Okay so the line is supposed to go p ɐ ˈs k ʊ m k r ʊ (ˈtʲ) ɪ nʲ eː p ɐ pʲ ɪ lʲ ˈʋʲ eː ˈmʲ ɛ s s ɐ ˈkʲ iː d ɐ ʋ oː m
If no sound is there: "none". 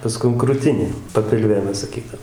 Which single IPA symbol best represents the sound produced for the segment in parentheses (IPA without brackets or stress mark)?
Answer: tʲ